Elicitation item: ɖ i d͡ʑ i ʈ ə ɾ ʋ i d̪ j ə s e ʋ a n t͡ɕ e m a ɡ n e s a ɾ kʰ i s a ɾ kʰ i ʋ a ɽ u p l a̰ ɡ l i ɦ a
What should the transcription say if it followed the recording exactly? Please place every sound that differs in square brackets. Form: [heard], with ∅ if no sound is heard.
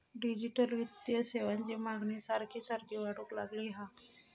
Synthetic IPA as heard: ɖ i d͡ʑ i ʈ ə [l] ʋ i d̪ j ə s e ʋ a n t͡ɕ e m a ɡ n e s a ɾ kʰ i s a ɾ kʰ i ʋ a ɽ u [k] l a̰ ɡ l i ɦ a